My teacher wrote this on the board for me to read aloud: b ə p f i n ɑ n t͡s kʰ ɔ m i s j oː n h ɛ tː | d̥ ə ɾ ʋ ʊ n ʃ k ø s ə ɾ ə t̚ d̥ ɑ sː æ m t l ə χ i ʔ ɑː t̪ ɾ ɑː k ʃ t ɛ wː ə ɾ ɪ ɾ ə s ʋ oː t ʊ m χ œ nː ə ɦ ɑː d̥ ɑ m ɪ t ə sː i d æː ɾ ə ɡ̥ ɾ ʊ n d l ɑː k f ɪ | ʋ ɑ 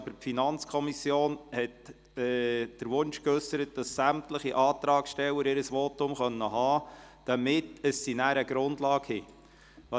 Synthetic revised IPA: b ə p f i n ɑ n t͡s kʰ ɔ m i s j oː n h ɛ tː | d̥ ə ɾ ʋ ʊ n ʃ k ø s ə ɾ ə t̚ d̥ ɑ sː æ m t l ə χ i ʔ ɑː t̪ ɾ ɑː k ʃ t ɛ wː ə ɾ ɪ ɾ ə s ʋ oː t ʊ m χ œ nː ə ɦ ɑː d̥ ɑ m ɪ t ə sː i n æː ɾ ə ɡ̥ ɾ ʊ n d l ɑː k h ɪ | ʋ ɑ